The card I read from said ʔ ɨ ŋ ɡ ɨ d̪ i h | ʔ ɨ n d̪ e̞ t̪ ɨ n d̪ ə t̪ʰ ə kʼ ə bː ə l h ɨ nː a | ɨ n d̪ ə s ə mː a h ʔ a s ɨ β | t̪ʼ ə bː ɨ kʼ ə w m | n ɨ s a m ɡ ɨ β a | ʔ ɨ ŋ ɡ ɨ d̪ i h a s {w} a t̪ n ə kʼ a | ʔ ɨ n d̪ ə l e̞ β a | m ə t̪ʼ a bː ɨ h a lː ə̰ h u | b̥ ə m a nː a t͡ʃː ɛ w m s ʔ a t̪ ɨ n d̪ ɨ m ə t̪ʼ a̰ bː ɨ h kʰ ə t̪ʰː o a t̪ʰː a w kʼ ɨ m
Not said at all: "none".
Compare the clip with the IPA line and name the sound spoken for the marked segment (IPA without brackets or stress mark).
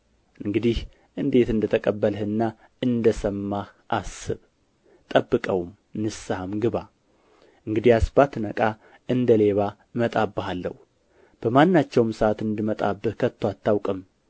b